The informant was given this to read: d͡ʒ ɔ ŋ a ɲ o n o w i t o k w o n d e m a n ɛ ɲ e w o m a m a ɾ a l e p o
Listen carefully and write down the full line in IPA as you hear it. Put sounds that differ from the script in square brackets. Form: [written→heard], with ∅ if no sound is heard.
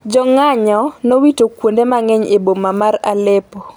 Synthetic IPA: d͡ʒ ɔ ŋ a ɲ [o→ɔ] n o w i t o k w o n d e m a [n→ŋ] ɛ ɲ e [w→b] o m a m a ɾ a l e p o